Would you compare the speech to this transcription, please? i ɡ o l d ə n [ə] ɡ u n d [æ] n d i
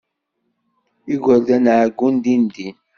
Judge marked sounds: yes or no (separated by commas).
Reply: no, no